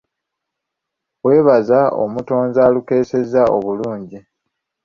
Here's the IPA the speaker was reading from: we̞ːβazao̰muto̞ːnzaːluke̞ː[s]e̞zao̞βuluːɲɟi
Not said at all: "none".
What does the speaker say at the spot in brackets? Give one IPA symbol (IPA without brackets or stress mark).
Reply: s